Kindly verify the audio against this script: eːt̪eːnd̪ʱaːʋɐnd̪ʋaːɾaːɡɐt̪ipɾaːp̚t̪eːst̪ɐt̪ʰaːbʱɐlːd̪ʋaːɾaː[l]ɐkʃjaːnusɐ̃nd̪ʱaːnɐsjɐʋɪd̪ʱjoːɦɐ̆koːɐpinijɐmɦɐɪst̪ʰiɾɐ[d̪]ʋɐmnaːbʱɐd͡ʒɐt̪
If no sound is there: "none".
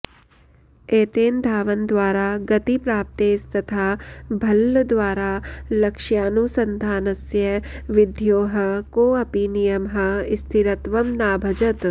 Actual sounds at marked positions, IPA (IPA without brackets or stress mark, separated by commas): l, t̪